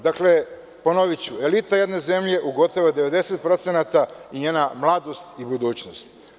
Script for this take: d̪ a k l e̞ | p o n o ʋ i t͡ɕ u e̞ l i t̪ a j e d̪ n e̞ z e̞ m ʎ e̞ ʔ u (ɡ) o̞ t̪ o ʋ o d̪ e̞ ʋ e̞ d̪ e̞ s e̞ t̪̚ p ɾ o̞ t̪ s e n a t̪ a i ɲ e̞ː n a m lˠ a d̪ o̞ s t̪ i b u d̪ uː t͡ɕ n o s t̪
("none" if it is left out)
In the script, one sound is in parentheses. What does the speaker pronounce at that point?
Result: ɡ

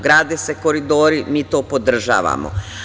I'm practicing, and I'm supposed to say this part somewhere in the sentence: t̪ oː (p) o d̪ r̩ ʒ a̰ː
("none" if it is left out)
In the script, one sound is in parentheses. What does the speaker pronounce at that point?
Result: p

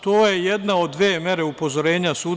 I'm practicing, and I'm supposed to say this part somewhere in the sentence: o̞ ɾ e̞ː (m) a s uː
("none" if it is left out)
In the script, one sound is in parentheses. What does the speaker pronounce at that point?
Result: ɲ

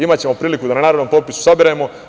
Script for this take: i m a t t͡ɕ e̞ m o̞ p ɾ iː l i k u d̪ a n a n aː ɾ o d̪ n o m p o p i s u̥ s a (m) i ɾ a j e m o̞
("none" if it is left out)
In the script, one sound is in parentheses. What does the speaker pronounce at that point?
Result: b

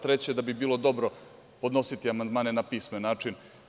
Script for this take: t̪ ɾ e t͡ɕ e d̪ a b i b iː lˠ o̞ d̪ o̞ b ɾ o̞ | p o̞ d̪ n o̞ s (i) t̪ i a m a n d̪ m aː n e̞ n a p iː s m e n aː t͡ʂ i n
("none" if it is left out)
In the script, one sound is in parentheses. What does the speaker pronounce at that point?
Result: i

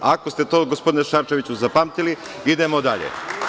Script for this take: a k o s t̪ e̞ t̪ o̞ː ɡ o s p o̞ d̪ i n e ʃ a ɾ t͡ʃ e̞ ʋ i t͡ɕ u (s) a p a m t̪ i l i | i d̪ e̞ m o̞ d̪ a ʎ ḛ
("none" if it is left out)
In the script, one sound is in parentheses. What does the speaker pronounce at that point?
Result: z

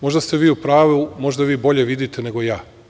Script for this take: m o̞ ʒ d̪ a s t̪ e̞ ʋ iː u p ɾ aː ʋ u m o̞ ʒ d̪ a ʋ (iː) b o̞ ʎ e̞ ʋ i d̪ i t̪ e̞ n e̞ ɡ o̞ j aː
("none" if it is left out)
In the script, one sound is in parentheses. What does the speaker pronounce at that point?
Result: iː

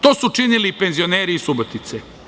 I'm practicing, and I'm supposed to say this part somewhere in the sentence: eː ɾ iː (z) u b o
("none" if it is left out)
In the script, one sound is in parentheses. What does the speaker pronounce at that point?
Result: s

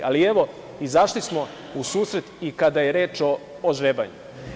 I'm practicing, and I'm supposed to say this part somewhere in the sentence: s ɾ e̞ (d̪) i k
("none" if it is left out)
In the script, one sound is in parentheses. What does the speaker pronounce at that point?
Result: t̪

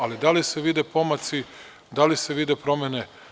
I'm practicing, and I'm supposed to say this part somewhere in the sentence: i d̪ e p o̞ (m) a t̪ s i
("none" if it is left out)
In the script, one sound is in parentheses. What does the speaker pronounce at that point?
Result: m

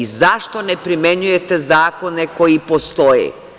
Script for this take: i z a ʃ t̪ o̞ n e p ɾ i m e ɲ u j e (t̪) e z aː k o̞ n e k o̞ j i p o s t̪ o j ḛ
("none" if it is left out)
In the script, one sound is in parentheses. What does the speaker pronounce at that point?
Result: t̪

